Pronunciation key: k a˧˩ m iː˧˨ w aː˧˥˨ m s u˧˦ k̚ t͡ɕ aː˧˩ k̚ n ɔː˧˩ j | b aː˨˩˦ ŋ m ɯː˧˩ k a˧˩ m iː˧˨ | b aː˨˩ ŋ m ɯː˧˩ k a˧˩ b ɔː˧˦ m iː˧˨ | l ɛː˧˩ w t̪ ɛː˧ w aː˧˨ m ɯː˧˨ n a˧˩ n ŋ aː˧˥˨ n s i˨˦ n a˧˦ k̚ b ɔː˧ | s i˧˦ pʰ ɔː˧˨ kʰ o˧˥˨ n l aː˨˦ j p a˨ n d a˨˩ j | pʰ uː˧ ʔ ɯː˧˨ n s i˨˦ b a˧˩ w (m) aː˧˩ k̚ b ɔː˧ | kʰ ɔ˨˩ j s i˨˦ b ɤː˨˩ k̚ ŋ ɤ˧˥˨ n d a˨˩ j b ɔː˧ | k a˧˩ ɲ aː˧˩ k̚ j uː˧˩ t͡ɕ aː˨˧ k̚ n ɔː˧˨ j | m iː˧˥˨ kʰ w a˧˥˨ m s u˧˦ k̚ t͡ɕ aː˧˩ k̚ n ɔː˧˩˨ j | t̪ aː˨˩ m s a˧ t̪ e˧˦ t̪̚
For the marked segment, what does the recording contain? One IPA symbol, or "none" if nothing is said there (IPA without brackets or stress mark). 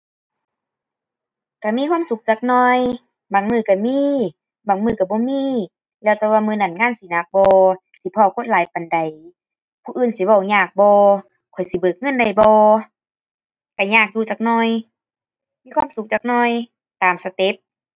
ɲ